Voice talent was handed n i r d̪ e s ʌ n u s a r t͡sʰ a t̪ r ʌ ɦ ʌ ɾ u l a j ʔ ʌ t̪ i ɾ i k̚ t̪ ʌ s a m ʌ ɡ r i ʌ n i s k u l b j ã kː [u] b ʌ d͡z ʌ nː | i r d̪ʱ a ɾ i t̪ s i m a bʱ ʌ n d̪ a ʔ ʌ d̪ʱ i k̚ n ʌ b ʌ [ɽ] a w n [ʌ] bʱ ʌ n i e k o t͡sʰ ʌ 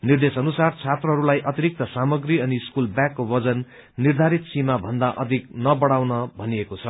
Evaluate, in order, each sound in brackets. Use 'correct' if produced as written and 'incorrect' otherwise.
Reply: incorrect: o, correct, correct

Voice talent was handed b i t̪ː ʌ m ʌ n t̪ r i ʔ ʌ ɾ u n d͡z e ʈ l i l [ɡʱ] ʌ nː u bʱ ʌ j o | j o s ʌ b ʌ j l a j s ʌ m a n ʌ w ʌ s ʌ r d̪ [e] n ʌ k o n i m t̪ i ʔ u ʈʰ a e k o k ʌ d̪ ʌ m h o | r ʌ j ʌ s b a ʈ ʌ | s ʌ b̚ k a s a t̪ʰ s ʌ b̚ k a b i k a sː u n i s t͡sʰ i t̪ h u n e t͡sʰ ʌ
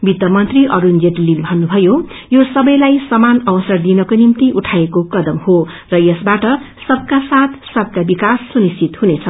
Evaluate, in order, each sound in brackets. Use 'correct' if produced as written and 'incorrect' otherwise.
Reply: incorrect: bʱ, incorrect: i

